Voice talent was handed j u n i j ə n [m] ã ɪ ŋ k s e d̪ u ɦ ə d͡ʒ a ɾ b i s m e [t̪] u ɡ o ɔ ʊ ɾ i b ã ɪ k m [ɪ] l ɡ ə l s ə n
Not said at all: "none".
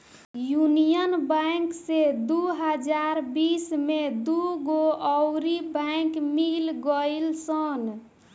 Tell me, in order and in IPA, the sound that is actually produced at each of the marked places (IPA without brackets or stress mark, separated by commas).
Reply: b, d̪, i